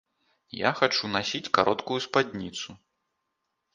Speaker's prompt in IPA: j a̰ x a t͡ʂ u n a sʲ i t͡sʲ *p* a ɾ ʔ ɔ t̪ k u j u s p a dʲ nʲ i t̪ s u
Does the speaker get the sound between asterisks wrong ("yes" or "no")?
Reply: yes